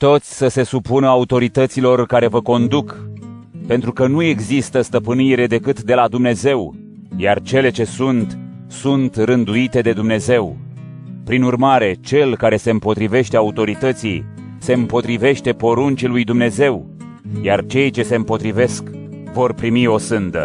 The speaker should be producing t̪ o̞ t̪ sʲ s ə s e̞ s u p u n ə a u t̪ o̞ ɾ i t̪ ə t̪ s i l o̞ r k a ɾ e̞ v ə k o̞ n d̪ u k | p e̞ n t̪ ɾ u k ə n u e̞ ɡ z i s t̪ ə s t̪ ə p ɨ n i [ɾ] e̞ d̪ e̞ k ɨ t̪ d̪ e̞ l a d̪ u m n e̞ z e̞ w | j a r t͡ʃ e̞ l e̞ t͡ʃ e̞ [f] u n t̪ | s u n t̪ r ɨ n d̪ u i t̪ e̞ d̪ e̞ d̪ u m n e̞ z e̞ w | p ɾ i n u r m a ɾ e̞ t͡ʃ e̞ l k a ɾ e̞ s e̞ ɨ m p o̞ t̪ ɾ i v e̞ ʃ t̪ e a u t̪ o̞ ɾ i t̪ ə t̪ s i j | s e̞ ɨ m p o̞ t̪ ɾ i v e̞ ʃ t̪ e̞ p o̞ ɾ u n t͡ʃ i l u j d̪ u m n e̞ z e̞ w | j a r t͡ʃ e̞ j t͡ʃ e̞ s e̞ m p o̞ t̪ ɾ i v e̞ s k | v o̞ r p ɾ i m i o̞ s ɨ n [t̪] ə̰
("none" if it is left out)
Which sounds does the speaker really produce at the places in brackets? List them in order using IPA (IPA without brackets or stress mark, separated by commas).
ɾ, s, d̪